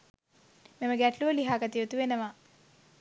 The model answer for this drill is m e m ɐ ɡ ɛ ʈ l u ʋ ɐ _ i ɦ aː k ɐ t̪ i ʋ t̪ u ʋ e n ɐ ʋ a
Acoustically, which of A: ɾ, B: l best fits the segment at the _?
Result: B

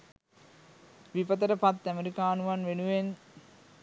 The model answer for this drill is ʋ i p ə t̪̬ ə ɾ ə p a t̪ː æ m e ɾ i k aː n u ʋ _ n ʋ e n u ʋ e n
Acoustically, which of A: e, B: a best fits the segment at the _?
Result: B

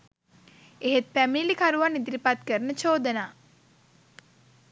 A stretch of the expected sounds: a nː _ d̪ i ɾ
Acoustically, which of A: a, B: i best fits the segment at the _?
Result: B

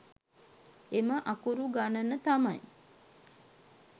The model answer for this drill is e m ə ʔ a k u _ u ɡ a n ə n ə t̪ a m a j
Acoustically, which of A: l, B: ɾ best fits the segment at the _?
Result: B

